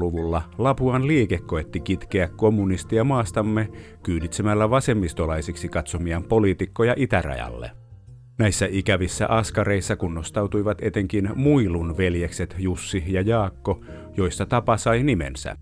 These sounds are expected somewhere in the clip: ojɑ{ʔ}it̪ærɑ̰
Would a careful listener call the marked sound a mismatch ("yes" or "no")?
no